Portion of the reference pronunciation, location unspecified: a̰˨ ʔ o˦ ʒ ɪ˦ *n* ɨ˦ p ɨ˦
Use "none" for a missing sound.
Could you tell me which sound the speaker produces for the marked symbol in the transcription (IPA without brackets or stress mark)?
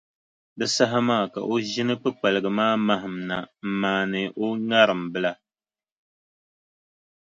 n